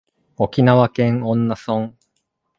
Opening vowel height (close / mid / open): mid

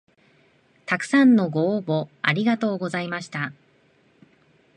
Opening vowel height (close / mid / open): open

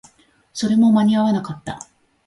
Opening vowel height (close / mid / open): mid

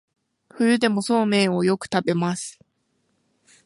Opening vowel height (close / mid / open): close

